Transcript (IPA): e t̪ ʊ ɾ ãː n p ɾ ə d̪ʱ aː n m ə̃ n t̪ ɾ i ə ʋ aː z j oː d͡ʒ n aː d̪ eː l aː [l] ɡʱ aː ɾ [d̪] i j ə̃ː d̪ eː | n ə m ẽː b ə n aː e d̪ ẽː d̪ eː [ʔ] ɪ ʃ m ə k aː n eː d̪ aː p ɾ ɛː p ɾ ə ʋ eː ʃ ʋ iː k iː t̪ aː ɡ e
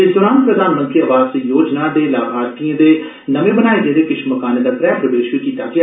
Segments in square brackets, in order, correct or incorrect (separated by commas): incorrect, incorrect, incorrect